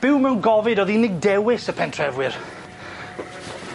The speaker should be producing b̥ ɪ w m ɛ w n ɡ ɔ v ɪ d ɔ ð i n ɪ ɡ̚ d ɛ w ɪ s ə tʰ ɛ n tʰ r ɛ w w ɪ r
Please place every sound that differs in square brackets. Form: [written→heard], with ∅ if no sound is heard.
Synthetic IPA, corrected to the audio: b̥ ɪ w m ɛ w n ɡ ɔ v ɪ d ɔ ð i n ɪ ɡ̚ d ɛ w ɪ s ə [tʰ→pʰ] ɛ n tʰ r ɛ [w→v] w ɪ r